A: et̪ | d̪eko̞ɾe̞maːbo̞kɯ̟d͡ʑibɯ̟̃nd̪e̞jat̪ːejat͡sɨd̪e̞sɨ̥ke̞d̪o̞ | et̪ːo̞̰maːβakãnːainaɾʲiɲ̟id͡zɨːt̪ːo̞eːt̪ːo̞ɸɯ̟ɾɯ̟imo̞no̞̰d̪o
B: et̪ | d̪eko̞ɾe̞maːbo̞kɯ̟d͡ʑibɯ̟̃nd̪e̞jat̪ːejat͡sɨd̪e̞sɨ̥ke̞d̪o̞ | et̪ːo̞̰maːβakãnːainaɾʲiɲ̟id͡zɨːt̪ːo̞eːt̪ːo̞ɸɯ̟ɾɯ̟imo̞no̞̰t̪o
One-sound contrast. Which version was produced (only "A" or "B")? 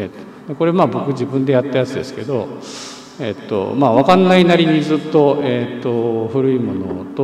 B